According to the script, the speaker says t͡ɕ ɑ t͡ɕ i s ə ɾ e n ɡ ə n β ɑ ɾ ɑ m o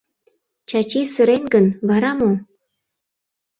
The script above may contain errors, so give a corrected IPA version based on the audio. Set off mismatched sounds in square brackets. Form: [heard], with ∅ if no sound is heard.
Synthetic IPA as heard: t͡ɕ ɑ t͡ɕ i s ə ɾ e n ɡ ə n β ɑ ɾ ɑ m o